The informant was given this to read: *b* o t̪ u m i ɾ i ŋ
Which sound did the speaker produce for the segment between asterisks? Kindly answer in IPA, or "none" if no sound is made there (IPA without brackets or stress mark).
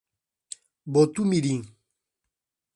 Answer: b